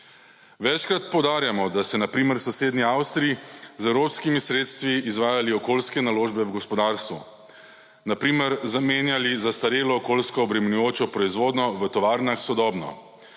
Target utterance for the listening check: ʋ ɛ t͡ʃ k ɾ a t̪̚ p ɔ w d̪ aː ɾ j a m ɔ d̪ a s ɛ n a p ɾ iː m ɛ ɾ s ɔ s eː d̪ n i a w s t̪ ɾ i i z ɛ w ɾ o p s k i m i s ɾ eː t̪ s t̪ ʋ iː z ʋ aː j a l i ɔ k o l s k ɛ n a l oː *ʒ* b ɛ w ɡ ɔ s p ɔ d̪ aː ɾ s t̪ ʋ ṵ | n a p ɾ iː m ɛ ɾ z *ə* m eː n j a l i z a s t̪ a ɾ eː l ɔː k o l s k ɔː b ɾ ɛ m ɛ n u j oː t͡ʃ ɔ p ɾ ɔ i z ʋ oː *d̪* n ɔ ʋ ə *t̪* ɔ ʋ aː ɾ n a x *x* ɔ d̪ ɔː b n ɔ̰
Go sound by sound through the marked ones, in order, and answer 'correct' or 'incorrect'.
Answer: correct, incorrect: a, correct, correct, incorrect: s

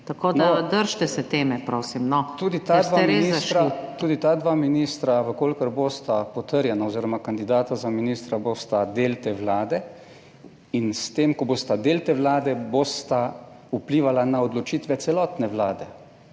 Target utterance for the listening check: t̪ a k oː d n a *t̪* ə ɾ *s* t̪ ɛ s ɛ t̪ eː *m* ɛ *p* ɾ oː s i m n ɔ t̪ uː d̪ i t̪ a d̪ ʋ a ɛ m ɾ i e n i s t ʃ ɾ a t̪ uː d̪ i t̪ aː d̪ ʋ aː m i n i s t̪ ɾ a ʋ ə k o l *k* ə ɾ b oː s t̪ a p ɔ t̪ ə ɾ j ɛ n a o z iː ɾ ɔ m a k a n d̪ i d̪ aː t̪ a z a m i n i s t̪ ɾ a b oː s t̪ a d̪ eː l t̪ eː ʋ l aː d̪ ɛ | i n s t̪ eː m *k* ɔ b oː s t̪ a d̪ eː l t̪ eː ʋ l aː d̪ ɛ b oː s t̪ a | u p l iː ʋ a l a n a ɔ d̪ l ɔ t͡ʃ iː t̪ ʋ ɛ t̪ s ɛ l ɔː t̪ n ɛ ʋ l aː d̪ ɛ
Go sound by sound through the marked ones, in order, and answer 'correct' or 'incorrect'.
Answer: incorrect: d̪, incorrect: ʃ, correct, correct, correct, correct

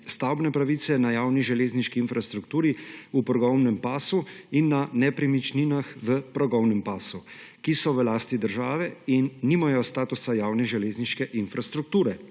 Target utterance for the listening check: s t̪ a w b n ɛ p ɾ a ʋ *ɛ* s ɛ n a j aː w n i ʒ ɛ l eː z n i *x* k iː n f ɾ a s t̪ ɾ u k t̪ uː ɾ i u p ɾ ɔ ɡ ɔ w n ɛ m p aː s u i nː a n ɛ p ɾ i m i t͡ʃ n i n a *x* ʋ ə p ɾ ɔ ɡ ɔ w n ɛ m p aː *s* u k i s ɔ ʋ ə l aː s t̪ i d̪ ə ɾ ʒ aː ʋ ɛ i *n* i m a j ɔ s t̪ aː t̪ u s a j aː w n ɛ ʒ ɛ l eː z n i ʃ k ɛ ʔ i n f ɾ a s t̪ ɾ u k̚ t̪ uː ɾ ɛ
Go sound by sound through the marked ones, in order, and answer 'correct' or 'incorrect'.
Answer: incorrect: i, incorrect: ʃ, correct, correct, incorrect: nː

